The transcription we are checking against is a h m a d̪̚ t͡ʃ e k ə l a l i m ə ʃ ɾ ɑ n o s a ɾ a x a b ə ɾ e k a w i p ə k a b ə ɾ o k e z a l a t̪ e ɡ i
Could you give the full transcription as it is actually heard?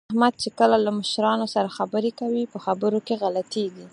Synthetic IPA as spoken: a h m a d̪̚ t͡ʃ e k ə l a l a m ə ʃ ɾ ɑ n o s a ɾ a x a b ə ɾ e k a w i p ə x a b ə ɾ o k e ɣ a l a t̪ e ɡ i